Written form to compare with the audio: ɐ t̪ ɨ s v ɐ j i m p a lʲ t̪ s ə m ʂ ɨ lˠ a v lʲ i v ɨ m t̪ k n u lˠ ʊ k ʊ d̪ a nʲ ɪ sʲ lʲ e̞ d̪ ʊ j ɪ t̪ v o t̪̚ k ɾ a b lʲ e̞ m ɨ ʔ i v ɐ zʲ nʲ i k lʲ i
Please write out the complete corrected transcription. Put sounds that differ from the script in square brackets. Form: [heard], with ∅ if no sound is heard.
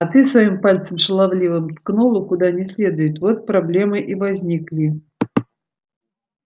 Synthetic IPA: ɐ t̪ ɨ s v ɐ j i m p a lʲ t̪ s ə m ʂ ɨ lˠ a v lʲ i v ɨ m t̪ k n u lˠ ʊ k ʊ d̪ a nʲ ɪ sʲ lʲ e̞ d̪ ʊ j ɪ t̪ v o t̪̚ [p] ɾ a b lʲ e̞ m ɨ ʔ i v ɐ zʲ nʲ i k lʲ i